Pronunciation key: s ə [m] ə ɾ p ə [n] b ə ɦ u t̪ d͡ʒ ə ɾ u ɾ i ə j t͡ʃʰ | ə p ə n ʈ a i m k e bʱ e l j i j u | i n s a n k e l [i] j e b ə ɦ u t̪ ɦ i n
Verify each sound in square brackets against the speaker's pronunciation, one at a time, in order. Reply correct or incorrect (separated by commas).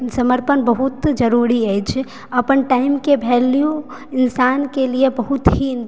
correct, correct, correct